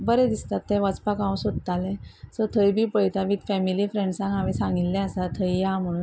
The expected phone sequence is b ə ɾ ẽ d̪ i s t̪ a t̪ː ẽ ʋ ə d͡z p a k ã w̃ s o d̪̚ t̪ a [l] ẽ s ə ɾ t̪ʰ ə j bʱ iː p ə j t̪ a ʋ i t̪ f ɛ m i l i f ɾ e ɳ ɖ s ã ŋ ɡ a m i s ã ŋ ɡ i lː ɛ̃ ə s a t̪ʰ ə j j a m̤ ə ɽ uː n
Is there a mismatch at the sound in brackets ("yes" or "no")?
no